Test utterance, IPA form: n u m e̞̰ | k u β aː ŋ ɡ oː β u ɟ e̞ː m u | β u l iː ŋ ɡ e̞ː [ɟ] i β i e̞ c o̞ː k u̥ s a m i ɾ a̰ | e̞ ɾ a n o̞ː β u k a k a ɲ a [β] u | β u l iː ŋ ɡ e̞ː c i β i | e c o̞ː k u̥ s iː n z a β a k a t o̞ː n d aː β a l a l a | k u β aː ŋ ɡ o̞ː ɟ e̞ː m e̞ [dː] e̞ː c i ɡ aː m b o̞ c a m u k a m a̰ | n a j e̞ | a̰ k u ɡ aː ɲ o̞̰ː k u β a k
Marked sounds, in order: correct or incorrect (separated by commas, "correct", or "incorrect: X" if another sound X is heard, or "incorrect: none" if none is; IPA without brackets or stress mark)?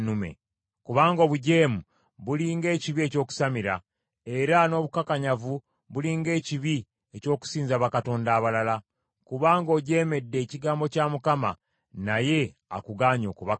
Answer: incorrect: c, incorrect: v, correct